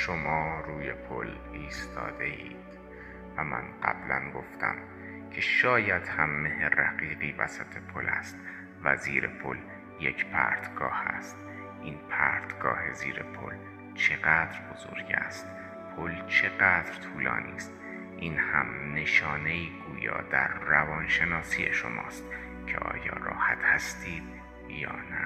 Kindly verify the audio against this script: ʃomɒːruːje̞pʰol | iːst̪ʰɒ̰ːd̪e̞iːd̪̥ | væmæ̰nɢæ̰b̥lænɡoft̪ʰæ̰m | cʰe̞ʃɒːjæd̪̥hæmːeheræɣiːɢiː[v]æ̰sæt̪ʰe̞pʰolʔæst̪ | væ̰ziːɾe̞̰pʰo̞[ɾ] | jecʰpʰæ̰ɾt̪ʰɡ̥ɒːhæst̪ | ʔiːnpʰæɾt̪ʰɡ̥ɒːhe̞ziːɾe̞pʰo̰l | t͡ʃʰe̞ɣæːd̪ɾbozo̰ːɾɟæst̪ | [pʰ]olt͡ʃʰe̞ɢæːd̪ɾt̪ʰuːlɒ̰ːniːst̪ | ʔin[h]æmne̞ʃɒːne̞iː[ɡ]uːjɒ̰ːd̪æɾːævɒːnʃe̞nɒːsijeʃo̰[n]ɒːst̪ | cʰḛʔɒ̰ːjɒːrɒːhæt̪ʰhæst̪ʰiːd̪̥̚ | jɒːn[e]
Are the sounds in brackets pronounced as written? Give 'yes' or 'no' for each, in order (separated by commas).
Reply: yes, no, yes, yes, yes, no, no